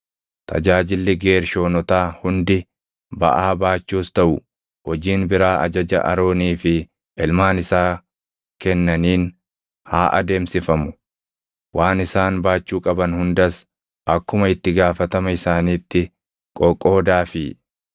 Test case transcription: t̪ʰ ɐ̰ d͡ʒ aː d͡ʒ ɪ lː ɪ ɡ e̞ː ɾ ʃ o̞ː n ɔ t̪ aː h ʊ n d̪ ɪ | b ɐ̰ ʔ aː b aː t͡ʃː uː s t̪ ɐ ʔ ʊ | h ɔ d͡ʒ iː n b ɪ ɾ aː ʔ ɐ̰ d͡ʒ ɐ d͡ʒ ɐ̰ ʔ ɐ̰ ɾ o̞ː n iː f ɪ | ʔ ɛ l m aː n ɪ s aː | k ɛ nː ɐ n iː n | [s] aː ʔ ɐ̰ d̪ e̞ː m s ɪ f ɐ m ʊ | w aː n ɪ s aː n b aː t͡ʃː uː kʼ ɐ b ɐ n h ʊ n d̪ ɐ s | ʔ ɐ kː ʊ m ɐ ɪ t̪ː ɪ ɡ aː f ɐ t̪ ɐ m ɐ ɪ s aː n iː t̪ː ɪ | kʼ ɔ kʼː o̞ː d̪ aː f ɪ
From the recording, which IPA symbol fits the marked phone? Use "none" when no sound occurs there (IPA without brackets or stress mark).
h